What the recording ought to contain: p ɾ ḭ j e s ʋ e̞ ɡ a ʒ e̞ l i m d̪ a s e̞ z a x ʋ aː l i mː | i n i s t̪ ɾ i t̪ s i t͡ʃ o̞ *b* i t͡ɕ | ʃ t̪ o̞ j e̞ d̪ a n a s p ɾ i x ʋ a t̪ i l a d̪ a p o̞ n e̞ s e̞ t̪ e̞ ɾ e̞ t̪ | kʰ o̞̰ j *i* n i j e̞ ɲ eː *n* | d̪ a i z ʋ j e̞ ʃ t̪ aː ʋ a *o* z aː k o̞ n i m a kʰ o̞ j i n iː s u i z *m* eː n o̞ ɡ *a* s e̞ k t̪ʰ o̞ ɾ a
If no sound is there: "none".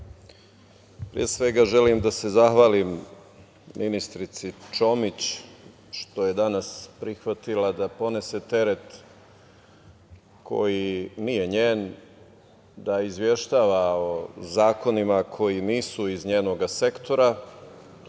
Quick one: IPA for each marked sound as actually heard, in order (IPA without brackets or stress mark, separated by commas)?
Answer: m, i, n, o, ɲ, a